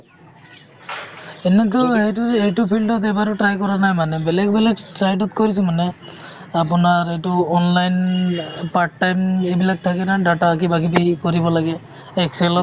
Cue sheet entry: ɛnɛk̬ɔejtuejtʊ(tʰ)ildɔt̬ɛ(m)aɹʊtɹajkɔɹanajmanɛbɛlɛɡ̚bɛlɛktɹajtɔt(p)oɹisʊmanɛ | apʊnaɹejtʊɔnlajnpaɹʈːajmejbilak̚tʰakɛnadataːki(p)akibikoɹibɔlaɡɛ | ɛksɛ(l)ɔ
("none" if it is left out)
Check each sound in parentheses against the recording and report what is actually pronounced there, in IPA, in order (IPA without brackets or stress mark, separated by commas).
pʰ, b, k, b, l